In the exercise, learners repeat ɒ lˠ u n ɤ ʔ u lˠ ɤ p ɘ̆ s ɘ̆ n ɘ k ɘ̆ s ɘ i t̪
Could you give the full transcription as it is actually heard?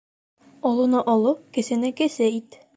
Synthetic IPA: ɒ lˠ u n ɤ ʔ ɒ lˠ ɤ k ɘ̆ s ɘ̆ n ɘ k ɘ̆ s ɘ i t̪